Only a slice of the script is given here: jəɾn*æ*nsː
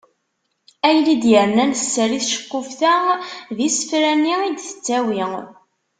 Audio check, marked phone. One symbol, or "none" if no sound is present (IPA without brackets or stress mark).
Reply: æ